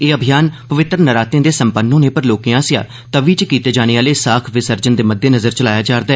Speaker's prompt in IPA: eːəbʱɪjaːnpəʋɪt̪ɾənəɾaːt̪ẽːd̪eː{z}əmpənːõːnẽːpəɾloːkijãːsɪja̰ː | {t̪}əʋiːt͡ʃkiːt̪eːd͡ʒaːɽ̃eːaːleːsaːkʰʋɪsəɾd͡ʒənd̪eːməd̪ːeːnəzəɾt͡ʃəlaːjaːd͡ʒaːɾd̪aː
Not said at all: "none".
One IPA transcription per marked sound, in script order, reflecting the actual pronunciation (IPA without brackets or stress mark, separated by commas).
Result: s, t̪